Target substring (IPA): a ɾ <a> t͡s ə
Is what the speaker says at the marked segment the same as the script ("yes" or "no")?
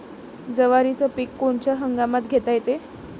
no